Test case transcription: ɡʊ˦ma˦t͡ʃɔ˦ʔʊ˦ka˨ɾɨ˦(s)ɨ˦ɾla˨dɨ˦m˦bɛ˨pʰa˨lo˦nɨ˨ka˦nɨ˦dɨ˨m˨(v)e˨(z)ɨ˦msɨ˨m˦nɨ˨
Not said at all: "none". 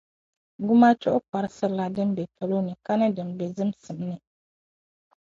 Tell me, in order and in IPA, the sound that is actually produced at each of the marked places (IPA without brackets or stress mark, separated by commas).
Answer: s, b, z